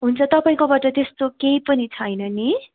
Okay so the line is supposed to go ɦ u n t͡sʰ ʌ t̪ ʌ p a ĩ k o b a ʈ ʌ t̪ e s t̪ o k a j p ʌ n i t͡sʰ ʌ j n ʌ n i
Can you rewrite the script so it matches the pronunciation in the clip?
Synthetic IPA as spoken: ɦ u n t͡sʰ ʌ t̪ ʌ p a ĩ k o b a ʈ ʌ t̪ e s t̪ o k e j p ʌ n i t͡sʰ ʌ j n ʌ n i